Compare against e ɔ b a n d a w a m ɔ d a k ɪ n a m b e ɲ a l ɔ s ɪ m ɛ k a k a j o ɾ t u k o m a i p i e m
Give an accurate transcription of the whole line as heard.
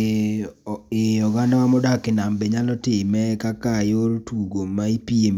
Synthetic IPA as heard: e ɔ ɡ a n d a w a m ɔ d a k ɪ n a m b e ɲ a l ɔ t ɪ m ɛ k a k a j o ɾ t u ɡ o m a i p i e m